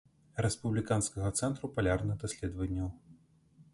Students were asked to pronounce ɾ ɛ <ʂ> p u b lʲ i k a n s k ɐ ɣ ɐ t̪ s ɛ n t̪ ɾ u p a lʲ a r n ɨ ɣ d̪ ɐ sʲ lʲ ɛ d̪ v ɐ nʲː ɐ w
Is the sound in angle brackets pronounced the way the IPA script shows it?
no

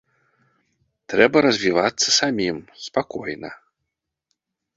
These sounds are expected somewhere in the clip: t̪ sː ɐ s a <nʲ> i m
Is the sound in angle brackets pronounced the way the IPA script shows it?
no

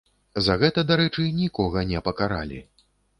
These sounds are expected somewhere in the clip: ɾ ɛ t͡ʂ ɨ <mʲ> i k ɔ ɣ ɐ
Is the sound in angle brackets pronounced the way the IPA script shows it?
no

